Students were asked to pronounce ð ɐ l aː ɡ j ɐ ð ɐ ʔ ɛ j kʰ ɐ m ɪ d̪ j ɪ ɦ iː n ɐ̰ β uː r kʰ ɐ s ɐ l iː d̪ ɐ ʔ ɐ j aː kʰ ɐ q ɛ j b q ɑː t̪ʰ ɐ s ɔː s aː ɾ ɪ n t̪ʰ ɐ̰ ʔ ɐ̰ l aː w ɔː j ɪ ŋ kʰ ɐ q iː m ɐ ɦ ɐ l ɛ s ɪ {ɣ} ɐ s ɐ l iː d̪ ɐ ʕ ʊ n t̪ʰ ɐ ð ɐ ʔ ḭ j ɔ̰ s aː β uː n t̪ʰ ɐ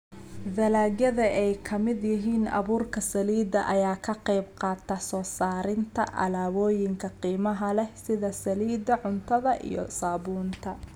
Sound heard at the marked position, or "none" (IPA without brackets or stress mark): ð